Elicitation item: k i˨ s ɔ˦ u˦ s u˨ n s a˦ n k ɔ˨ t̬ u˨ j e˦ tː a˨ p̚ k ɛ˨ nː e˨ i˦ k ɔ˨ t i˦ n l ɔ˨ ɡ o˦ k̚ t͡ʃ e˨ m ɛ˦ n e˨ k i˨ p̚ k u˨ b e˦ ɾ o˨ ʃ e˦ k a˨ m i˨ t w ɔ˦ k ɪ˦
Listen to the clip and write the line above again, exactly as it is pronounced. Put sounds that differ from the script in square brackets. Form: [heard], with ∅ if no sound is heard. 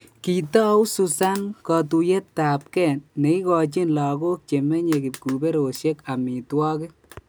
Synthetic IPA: k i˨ [t] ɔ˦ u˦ s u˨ [∅] s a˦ n k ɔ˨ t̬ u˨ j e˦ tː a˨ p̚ k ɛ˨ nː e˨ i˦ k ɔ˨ [t͡ʃ] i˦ n l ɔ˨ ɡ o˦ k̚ t͡ʃ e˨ m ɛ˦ [ɲ] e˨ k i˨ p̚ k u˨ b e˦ ɾ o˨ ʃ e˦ k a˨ m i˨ t w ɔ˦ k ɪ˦